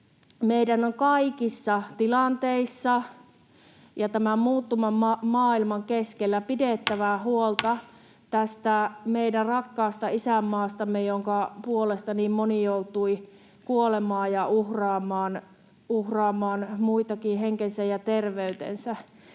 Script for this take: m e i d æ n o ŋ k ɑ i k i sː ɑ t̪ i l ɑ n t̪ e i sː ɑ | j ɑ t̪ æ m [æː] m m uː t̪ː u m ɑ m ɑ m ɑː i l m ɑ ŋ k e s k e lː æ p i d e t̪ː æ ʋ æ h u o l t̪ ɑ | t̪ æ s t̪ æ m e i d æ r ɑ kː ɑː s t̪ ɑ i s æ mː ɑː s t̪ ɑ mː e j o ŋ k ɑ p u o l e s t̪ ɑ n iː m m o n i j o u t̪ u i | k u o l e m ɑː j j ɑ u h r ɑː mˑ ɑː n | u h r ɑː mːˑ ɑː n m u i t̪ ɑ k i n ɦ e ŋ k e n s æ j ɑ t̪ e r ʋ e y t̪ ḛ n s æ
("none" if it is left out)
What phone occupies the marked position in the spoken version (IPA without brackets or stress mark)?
æ